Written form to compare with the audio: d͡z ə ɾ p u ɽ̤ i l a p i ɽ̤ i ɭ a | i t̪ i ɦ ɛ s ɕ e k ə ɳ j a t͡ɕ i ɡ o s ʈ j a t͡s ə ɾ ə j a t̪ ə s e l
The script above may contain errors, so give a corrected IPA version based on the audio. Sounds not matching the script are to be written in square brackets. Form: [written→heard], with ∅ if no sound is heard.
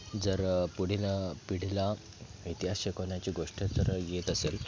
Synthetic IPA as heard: d͡z ə ɾ p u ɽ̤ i l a p i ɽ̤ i [ɭ→l] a | i t̪ i ɦ [ɛ→a] s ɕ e k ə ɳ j a t͡ɕ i ɡ o [s→ʂ] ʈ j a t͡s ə ɾ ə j [a→e] t̪ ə s e l